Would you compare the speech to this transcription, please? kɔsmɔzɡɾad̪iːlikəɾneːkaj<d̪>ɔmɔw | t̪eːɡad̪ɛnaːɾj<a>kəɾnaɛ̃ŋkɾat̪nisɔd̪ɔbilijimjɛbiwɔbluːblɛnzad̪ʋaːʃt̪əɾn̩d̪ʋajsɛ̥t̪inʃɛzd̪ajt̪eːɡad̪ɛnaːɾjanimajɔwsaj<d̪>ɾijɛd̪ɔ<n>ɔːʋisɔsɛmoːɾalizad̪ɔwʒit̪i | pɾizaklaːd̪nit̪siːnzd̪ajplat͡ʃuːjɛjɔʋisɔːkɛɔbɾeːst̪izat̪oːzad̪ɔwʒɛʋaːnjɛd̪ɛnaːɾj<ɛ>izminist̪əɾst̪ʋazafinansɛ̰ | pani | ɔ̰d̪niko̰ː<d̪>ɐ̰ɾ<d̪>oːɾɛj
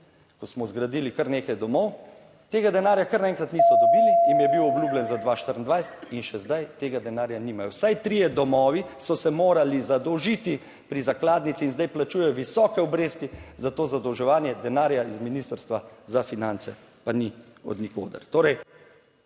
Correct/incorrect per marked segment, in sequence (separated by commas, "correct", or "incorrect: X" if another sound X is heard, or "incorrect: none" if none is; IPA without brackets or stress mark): correct, correct, incorrect: t̪, incorrect: m, incorrect: a, correct, incorrect: t̪